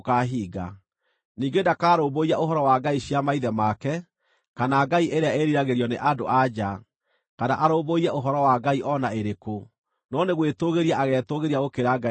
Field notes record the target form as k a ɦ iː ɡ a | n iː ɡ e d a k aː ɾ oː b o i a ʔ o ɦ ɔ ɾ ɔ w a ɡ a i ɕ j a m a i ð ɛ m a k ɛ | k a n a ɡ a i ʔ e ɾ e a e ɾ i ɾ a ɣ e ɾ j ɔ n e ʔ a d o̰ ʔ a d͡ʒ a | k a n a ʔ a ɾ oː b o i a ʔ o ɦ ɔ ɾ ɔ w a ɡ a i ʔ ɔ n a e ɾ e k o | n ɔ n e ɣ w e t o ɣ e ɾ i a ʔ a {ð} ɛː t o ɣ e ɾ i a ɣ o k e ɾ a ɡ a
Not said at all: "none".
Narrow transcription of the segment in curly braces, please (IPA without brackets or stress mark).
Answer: ɣ